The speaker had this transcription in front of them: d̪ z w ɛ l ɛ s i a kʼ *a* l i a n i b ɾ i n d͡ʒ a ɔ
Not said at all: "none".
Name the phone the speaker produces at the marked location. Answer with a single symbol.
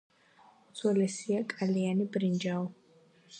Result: a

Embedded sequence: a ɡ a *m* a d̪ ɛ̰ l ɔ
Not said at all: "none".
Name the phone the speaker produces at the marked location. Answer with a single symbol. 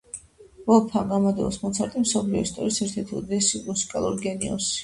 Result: m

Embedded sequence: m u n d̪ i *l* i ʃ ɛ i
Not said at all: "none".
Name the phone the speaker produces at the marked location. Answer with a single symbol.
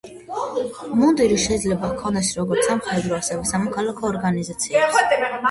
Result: ɾ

